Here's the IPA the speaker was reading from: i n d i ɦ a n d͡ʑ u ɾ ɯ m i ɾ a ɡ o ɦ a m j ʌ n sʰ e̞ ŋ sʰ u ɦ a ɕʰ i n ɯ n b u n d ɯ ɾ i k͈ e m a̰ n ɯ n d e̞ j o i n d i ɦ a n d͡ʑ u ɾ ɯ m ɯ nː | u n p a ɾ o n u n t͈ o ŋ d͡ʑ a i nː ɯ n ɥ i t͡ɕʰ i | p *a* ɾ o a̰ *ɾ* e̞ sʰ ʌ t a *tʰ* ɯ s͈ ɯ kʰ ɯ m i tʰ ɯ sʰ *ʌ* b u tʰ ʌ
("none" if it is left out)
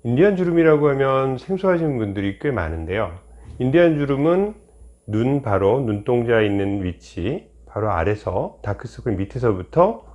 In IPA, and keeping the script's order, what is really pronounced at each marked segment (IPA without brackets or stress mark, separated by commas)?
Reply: a, ɾ, kʰ, ʌ